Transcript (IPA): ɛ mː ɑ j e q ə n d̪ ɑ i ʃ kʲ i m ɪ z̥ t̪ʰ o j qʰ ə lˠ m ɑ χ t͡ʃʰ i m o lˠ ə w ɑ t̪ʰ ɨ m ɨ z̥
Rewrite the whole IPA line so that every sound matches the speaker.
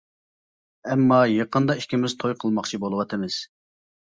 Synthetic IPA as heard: ɛ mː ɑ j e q ə n d̪ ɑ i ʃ kʲ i m ɪ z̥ t̪ʰ o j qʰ ə lˠ m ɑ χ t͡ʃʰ i b o lˠ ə w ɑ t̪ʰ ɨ m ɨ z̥